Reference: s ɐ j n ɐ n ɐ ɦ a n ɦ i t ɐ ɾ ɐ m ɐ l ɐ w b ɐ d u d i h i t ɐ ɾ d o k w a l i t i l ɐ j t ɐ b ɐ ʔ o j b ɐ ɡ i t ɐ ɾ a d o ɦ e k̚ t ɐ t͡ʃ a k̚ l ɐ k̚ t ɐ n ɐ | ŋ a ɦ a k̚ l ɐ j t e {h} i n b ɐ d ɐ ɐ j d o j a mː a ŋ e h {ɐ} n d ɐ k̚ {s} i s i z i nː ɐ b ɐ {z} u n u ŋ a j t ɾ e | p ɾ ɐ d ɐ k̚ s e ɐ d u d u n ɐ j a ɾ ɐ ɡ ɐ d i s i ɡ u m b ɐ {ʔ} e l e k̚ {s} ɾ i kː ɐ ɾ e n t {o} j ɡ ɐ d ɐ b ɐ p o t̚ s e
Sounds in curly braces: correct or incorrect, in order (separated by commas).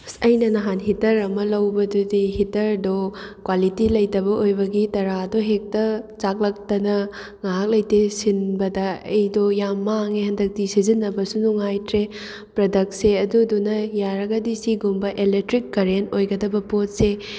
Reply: incorrect, correct, incorrect, incorrect, correct, incorrect, correct